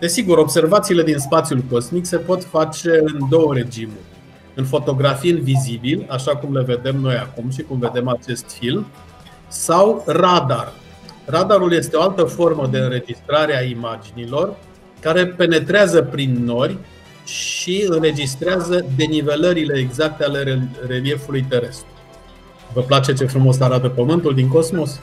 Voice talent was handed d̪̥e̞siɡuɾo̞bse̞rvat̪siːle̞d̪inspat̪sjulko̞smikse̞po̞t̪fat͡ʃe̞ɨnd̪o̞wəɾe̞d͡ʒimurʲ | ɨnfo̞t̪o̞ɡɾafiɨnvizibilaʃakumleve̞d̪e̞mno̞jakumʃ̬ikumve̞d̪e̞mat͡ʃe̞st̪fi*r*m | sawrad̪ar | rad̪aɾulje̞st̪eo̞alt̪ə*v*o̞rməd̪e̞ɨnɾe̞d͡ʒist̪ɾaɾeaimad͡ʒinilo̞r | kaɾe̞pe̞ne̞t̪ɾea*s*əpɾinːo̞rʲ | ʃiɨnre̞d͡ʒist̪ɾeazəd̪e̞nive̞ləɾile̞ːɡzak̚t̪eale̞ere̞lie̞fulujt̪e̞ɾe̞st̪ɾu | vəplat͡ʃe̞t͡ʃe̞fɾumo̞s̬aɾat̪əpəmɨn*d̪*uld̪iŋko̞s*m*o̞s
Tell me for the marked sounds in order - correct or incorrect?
incorrect: l, incorrect: f, incorrect: z, incorrect: t̪, correct

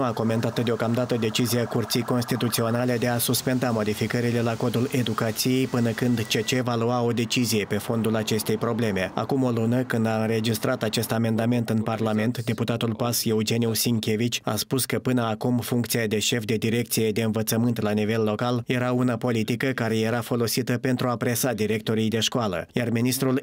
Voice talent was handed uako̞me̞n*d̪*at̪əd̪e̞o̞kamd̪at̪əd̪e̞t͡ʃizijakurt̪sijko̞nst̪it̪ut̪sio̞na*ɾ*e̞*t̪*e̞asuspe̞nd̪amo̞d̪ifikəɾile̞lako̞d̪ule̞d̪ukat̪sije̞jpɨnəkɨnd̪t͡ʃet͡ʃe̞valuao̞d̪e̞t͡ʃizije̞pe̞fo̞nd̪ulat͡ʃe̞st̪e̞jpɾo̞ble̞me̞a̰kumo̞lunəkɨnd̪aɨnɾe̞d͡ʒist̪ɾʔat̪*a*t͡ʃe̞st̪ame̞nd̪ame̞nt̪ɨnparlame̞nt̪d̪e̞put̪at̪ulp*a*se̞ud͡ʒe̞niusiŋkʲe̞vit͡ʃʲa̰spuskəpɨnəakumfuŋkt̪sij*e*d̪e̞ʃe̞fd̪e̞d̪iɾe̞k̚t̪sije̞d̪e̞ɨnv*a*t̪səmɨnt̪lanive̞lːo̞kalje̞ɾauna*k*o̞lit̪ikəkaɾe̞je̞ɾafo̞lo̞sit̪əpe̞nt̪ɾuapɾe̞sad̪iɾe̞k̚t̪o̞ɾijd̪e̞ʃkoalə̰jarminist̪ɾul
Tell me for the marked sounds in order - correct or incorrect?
incorrect: t̪, incorrect: l, incorrect: d̪, correct, correct, incorrect: a, incorrect: ə, incorrect: p

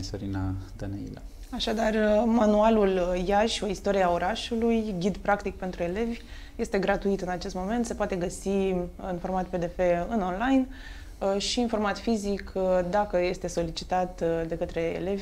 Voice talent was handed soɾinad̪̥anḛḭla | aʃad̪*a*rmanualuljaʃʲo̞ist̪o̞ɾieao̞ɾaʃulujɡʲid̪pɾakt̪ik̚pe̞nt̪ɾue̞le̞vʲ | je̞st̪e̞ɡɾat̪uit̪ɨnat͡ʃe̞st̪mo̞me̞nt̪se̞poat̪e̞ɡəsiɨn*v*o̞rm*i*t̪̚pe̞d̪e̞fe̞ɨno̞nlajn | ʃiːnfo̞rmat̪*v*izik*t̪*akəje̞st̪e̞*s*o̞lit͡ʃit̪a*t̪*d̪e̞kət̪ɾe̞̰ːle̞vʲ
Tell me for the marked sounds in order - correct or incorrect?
correct, incorrect: f, incorrect: a, incorrect: f, incorrect: d̪, correct, correct

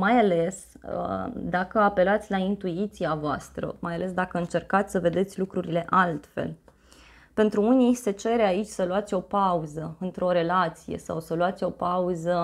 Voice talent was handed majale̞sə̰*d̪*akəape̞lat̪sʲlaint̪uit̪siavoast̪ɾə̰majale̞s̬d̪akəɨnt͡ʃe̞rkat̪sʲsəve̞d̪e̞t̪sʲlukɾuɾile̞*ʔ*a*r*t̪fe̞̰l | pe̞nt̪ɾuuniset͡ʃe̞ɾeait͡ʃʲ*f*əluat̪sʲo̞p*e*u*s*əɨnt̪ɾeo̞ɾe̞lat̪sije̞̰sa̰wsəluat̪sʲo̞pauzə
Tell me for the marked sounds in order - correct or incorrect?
correct, correct, incorrect: l, incorrect: s, incorrect: a, incorrect: z

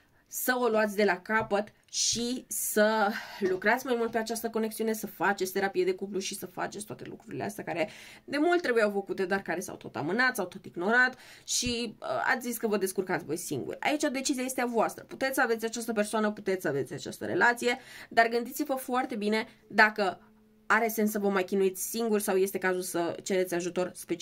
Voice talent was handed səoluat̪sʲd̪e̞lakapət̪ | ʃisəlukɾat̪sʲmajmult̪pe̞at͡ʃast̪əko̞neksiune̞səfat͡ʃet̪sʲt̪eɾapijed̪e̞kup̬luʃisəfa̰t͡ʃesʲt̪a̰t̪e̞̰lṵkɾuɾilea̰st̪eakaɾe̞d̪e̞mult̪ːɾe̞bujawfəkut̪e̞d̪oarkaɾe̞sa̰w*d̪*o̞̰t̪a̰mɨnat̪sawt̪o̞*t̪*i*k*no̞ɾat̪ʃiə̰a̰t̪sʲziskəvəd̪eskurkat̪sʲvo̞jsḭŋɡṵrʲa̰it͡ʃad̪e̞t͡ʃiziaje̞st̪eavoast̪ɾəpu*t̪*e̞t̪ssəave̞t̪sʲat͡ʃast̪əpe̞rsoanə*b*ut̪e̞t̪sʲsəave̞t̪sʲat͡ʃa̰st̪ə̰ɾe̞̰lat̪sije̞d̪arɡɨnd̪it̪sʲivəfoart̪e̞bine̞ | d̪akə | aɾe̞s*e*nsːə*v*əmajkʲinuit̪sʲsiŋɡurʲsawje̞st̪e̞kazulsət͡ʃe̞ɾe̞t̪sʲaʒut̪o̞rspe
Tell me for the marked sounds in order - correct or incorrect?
incorrect: t̪, correct, incorrect: ɡ, correct, incorrect: p, correct, correct

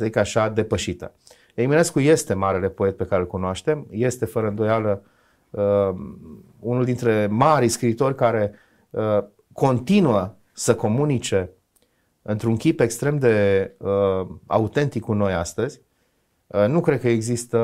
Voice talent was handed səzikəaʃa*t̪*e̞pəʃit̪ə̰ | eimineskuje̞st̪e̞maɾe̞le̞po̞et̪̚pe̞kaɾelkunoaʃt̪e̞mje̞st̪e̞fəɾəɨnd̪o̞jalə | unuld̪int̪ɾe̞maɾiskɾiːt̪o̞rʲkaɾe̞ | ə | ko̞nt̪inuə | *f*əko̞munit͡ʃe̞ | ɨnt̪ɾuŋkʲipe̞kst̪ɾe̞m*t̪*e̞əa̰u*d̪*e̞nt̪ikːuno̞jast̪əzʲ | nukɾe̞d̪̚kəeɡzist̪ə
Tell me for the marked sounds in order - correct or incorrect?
incorrect: d̪, incorrect: s, incorrect: d̪, incorrect: t̪

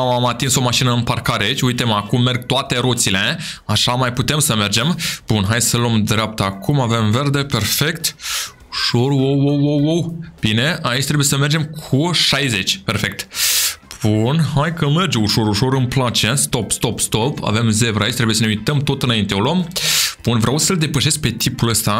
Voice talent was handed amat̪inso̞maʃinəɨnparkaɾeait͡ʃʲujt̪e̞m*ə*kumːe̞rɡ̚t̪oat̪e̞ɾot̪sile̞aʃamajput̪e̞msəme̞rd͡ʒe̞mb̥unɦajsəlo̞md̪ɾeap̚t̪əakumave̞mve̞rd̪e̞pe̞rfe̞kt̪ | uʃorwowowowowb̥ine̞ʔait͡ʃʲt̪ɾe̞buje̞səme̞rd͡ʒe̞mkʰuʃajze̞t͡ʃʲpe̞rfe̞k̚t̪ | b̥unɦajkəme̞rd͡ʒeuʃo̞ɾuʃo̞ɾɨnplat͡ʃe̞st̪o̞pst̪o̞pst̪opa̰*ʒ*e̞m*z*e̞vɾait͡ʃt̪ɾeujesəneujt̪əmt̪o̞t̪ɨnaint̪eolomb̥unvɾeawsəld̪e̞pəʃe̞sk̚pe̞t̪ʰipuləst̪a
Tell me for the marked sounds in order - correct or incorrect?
incorrect: a, incorrect: v, correct

